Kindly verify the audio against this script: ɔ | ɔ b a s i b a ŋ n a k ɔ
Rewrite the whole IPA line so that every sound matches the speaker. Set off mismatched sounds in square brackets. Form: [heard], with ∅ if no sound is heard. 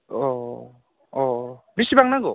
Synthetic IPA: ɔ | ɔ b [i] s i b a ŋ n a [ɡ] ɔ